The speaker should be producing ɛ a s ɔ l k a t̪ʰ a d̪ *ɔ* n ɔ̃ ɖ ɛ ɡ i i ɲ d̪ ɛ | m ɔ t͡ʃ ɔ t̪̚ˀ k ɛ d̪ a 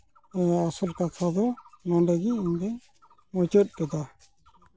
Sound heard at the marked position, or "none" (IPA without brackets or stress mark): ɔ